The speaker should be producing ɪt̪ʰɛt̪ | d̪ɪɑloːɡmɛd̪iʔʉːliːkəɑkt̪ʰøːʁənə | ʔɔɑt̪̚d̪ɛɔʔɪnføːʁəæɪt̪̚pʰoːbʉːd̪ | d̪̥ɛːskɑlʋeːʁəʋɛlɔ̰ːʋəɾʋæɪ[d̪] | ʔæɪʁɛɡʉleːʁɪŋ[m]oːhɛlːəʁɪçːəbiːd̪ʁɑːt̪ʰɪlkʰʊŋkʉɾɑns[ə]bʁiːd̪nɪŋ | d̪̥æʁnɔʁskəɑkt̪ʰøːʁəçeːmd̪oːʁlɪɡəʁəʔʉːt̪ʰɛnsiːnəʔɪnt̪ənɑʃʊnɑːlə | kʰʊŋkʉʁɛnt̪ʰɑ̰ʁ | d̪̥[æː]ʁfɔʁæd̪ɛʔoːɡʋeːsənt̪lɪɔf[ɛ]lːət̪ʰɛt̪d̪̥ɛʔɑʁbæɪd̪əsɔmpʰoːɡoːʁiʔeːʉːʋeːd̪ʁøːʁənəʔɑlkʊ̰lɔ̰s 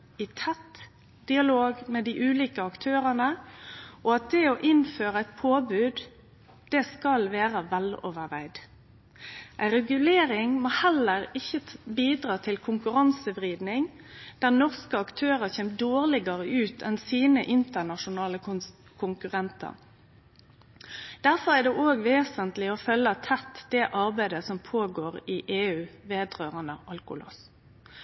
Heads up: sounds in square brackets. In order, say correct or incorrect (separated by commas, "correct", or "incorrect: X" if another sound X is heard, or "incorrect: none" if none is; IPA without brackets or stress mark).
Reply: correct, correct, correct, incorrect: æ, incorrect: œ